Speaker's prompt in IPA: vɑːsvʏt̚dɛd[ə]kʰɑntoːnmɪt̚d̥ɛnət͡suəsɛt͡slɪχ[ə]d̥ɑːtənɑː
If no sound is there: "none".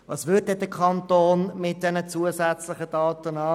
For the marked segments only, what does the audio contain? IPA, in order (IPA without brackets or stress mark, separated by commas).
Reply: ə, ə